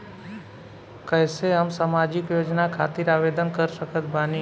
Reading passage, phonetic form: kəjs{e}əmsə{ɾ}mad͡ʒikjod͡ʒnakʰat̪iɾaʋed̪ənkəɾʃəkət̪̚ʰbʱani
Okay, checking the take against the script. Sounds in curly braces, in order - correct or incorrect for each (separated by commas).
correct, incorrect